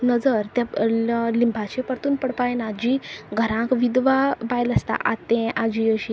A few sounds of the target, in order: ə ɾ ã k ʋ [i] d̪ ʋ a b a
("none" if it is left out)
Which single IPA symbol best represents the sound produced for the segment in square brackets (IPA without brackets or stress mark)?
i